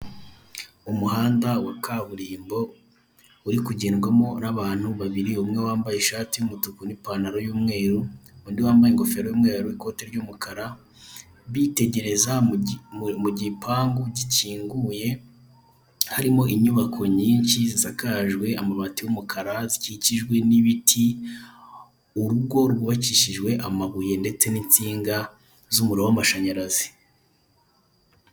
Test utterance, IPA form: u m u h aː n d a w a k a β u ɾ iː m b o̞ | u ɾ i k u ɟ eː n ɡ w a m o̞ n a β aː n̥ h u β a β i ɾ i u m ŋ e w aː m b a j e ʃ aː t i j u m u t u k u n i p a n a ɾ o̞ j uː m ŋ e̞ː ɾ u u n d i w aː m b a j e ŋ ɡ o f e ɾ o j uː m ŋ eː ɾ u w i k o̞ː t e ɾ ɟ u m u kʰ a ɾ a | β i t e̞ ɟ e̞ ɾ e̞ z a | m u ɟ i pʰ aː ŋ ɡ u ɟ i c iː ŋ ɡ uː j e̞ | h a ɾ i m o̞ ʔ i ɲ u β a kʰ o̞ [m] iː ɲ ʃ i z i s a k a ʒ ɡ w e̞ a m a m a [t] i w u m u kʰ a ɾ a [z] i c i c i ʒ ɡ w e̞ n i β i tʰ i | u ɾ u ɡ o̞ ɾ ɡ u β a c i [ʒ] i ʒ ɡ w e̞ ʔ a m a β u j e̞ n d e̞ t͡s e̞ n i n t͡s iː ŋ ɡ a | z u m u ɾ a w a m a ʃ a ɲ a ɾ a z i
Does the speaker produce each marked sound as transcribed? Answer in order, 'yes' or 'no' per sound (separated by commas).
no, yes, yes, no